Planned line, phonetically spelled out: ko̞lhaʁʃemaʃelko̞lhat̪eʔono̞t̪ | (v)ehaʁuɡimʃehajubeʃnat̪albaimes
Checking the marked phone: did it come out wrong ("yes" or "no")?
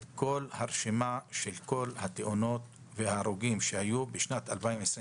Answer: no